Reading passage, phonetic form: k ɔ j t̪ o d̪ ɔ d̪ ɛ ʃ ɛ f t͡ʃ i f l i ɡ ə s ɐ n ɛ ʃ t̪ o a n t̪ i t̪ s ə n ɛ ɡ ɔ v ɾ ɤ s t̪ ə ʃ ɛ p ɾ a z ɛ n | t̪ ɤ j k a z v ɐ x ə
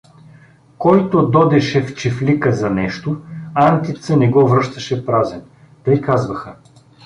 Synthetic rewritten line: k ɔ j t̪ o d̪ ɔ d̪ ɛ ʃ ɛ f t͡ʃ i f l i k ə z ɐ n ɛ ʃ t̪ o a n t̪ i t̪ s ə n ɛ ɡ ɔ v ɾ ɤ ʃ t̪ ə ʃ ɛ p ɾ a z ɛ n | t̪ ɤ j k a z v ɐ x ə